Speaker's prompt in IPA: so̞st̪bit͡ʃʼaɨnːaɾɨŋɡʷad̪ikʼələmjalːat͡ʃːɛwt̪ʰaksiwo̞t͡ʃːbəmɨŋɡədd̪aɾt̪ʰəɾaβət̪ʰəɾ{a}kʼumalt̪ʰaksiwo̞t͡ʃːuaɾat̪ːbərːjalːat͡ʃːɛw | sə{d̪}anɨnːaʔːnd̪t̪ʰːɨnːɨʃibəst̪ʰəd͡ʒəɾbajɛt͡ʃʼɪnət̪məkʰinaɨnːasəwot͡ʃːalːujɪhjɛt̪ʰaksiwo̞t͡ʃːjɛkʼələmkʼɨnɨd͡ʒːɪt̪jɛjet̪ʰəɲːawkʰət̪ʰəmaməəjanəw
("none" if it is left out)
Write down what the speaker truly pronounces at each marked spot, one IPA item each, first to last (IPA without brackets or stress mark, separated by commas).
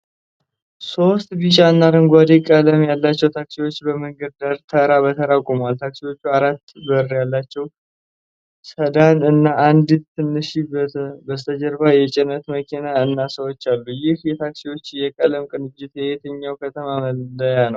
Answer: a, d̪